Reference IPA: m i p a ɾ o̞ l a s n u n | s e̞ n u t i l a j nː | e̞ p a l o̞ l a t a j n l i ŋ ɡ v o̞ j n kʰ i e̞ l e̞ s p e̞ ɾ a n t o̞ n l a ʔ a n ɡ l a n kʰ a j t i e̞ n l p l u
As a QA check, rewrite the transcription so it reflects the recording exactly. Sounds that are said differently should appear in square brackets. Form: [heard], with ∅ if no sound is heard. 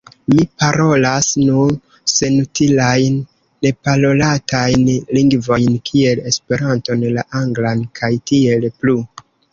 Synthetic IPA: m i p a ɾ o̞ l a s n u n | s e̞ n u t i l a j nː | e̞ p a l o̞ l a t a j n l i ŋ ɡ v o̞ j n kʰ i e̞ l e̞ s p e̞ ɾ a n t o̞ n l a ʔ a [ŋ] ɡ l a n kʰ a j t i e̞ [∅] l p l u